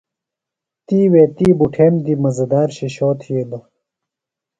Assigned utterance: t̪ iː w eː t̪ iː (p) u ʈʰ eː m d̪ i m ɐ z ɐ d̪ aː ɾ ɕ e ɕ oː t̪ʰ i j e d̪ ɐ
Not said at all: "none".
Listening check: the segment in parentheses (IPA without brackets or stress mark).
b